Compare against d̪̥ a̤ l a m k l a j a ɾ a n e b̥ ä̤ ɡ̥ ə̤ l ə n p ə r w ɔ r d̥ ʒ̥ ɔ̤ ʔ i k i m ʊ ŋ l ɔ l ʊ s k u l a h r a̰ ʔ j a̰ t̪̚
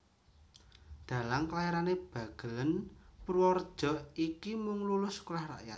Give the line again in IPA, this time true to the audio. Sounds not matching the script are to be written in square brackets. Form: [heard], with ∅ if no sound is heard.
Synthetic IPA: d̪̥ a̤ l a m k l a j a ɾ a n e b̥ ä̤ ɡ̥ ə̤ l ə n p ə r w ɔ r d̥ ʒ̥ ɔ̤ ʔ i k i m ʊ ŋ l [u] l ʊ s k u l a h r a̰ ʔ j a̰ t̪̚